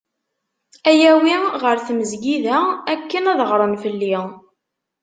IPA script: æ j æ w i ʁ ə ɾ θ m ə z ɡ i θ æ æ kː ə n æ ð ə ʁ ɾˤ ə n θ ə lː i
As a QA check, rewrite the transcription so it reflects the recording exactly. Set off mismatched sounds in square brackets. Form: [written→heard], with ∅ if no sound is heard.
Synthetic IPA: æ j æ w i ʁ ə ɾ θ m ə z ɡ i [θ→ð] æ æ kː ə n æ ð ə ʁ ɾˤ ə n [θ→f] ə lː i